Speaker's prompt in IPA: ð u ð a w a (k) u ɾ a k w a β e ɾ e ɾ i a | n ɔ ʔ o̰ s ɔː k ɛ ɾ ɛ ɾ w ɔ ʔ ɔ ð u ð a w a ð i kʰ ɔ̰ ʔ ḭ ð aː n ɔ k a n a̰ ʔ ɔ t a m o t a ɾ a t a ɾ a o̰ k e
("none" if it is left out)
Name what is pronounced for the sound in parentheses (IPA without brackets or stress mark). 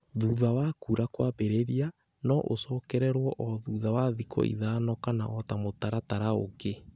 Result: k